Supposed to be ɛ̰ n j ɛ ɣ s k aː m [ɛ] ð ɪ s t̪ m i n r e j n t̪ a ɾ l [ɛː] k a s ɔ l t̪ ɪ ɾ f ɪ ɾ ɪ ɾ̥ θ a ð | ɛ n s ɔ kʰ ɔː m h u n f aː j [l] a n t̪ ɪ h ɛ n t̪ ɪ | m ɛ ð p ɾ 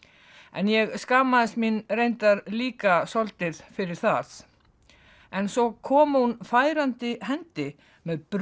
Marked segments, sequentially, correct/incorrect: incorrect, incorrect, incorrect

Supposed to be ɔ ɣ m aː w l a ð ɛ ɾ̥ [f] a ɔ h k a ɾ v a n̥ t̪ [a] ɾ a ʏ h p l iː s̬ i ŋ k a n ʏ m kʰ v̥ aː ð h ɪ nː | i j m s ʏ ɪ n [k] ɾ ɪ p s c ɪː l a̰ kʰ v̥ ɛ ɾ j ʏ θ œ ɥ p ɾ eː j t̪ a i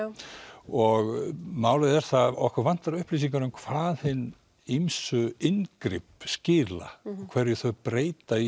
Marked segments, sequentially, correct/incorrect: incorrect, correct, correct

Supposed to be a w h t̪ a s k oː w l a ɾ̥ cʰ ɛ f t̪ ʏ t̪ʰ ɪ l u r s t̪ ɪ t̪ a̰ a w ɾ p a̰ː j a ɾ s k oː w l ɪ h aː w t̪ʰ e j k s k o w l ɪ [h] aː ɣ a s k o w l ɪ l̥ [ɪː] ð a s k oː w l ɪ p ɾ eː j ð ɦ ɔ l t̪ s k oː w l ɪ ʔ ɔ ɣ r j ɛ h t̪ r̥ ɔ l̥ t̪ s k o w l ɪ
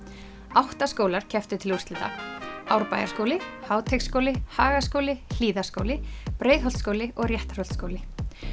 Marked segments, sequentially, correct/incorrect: correct, incorrect

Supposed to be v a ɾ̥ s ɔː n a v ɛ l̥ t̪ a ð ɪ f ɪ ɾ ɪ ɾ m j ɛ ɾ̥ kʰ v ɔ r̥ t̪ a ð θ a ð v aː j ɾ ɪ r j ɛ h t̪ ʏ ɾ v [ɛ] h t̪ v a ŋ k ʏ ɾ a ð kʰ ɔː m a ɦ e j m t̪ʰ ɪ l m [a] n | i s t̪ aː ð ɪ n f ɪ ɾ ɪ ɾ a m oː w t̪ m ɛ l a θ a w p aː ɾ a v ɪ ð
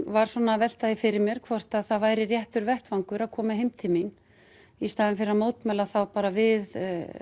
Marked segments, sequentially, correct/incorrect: correct, incorrect

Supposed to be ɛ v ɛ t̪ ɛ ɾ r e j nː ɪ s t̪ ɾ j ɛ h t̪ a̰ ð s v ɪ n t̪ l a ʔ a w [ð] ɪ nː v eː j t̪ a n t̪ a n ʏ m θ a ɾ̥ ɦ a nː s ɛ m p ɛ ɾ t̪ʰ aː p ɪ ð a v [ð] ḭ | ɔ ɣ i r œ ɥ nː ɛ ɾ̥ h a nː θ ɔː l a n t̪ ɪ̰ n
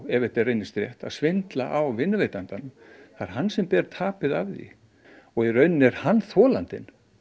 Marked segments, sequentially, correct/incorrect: incorrect, correct

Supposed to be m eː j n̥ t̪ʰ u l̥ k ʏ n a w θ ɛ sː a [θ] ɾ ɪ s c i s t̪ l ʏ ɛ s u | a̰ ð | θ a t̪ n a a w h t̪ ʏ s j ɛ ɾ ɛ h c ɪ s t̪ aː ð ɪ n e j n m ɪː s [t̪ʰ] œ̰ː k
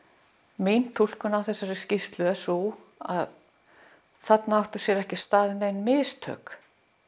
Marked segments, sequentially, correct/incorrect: incorrect, correct

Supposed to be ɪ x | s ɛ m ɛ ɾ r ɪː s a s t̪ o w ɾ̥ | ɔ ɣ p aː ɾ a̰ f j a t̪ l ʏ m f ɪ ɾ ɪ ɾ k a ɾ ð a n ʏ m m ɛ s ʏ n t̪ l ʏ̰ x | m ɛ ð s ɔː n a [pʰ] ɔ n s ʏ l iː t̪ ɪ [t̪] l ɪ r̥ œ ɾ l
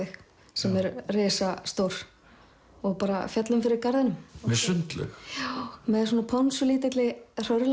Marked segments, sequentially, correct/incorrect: correct, correct

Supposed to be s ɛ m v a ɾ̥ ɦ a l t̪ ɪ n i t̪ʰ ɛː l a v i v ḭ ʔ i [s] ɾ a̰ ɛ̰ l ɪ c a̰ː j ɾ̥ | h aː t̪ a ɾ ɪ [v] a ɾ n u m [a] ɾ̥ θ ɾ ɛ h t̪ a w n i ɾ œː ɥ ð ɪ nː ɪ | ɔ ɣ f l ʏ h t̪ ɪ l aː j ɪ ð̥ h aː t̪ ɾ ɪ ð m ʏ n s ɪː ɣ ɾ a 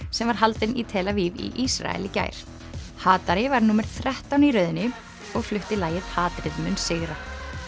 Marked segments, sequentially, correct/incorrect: correct, correct, incorrect

